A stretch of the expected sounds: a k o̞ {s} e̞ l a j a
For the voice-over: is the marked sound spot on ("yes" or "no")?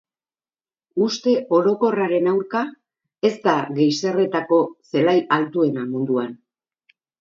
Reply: yes